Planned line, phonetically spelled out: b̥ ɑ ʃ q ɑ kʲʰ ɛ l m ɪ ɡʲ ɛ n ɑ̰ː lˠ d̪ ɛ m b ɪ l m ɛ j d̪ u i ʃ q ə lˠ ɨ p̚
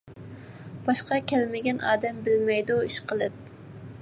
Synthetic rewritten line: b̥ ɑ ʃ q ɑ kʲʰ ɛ l m ɪ ɡʲ ɛ n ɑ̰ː d̪ ɛ m b ɪ l m ɛ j d̪ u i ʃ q ə lˠ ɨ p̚